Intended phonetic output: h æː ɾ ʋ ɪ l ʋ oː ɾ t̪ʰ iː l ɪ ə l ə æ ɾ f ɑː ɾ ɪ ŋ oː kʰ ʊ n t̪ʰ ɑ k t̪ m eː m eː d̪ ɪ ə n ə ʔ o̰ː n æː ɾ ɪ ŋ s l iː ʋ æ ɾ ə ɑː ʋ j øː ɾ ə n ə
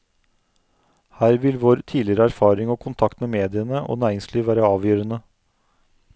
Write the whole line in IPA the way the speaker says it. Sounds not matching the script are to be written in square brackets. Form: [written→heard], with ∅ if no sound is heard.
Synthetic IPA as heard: h æː ɾ ʋ ɪ l ʋ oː ɾ t̪ʰ iː l ɪ ə [l→ɾ] ə æ ɾ f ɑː ɾ ɪ ŋ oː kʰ ʊ n t̪ʰ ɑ k t̪ m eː m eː d̪ ɪ ə n ə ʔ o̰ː n æː ɾ ɪ ŋ s l iː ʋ [æ→æː] ɾ ə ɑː ʋ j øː ɾ ə n ə